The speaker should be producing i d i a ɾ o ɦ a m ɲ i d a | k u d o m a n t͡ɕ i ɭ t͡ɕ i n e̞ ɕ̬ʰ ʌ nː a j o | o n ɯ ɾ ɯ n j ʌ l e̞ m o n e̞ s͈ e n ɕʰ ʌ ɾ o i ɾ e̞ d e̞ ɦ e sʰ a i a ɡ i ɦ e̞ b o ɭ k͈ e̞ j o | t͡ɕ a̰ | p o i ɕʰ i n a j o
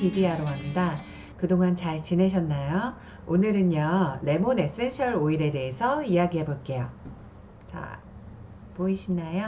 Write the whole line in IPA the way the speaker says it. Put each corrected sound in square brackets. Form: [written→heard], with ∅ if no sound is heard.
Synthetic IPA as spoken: i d i a ɾ o ɦ a m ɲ i d a | k [u→ɯ] d o [m→ŋ] a n t͡ɕ [i→a] ɭ t͡ɕ i n e̞ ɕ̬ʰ ʌ nː a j o | o n ɯ ɾ ɯ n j ʌ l e̞ m o n e̞ s͈ e n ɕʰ ʌ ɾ o i ɾ e̞ d e̞ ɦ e sʰ [a→ʌ] i a ɡ i ɦ e̞ b o ɭ k͈ e̞ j o | t͡ɕ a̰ | p o i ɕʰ i n a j o